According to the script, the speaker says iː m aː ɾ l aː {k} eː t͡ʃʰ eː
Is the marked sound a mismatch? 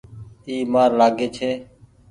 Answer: yes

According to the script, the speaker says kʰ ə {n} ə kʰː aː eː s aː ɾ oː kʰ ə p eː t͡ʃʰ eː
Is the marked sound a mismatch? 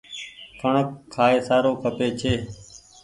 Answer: yes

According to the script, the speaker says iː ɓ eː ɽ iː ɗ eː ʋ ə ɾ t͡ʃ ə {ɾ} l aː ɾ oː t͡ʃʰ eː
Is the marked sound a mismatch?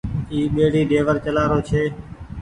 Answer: yes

